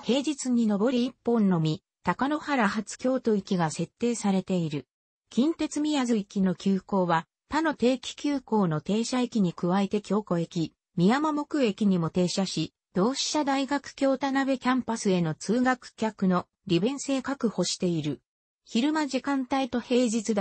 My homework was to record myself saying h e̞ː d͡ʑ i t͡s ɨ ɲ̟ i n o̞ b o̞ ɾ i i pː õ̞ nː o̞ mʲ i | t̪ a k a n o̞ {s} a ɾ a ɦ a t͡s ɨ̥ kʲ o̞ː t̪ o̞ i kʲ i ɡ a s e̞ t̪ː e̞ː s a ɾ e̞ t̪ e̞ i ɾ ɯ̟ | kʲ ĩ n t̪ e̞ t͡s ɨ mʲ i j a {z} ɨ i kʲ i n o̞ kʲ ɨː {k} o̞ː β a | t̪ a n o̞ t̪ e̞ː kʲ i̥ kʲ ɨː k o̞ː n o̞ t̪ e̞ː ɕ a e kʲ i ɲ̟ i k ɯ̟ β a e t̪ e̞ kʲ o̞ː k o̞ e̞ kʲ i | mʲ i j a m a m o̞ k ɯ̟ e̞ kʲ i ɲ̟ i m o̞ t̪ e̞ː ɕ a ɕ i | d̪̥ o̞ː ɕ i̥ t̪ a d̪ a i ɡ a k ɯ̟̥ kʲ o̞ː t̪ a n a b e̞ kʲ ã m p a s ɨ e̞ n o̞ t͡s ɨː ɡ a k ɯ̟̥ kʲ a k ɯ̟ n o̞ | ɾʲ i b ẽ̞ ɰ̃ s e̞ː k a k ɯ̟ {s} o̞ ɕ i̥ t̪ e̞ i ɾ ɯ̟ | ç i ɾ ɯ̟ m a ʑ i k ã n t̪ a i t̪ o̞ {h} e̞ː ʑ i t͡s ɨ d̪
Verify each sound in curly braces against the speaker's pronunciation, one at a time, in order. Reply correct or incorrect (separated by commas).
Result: incorrect, correct, correct, incorrect, correct